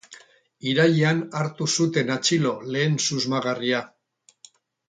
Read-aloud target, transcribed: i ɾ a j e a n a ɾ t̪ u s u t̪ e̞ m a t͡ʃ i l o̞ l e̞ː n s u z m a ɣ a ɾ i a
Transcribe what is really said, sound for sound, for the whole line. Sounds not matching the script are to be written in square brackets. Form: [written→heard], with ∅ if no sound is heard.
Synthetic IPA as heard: i ɾ a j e a n a ɾ t̪ u s u t̪ e̞ [m→n] a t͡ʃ i l o̞ l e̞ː n s u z m a ɣ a [ɾ→r] i a